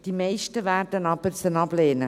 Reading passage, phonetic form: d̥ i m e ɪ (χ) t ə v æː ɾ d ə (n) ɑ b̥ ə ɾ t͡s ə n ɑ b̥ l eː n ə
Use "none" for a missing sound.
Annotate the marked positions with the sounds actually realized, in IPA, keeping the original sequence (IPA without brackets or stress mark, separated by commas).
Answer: ʃ, n